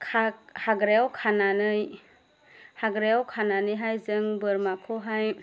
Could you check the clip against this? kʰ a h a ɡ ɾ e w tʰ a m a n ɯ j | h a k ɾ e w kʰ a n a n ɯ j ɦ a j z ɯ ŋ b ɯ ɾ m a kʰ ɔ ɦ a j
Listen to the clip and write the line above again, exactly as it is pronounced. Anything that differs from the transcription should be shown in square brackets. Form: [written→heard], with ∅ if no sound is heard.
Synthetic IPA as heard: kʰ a h a ɡ ɾ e w [tʰ→kʰ] a [m→n] a n ɯ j | h a [k→ɡ] ɾ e w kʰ a n a n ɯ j ɦ a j z ɯ ŋ b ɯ ɾ m a kʰ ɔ ɦ a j